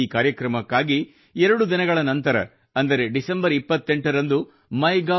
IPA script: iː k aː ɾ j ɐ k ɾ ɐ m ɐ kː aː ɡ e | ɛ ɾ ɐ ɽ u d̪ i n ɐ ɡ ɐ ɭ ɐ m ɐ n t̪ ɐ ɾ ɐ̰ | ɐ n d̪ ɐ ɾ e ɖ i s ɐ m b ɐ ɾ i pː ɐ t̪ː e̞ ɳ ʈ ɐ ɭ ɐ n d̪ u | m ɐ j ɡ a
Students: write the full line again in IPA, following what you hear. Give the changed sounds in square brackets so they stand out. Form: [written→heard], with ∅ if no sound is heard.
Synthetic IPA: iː k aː ɾ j ɐ k ɾ ɐ m ɐ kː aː ɡ [e→i] | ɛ ɾ ɐ ɽ u d̪ i n ɐ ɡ ɐ ɭ ɐ [m→n] ɐ n t̪ ɐ ɾ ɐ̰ | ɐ n d̪ ɐ ɾ e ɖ i s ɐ m b ɐ ɾ i pː ɐ t̪ː e̞ ɳ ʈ ɐ [ɭ→ɾ] ɐ n d̪ u | m ɐ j ɡ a